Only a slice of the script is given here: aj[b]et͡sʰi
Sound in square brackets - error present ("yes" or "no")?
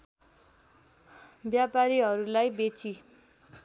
no